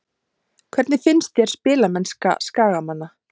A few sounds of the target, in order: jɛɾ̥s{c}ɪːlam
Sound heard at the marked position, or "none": p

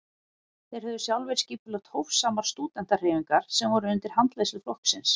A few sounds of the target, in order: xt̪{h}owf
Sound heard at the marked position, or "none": h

